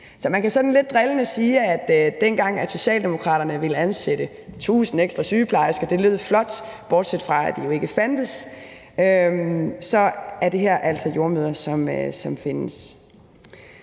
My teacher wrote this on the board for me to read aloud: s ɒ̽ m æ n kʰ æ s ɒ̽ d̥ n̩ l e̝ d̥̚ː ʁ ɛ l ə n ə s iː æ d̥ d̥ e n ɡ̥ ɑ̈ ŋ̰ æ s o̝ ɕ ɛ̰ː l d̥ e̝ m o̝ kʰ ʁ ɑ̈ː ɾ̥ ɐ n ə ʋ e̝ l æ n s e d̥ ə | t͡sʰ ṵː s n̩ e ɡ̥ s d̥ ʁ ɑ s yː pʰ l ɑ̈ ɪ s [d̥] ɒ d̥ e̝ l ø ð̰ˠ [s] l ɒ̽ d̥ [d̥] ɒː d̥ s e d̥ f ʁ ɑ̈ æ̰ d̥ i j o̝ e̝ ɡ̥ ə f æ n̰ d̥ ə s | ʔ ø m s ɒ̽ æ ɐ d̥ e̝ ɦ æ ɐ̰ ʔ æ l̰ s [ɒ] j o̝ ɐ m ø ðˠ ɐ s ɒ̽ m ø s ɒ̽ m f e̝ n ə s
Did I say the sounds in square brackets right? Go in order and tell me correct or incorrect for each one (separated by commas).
incorrect, incorrect, incorrect, correct